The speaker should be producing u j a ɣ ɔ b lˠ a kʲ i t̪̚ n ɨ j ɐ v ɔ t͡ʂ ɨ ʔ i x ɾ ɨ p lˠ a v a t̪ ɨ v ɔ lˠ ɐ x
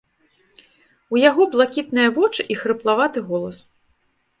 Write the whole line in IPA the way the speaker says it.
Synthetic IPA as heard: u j a ɣ ɔ b lˠ a kʲ i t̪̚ n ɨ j ɐ v ɔ t͡ʂ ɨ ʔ i x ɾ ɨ p lˠ a v a t̪ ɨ ɣ ɔ lˠ ɐ s